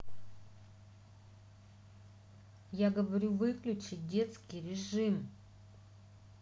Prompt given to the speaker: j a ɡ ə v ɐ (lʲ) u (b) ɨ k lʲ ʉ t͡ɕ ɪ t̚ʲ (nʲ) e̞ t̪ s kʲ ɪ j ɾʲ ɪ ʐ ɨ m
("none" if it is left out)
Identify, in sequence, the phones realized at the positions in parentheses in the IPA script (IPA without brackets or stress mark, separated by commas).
ɾʲ, v, dʲ